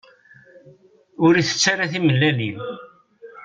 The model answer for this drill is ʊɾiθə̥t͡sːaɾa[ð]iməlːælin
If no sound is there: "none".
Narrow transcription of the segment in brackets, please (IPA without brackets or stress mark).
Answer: θ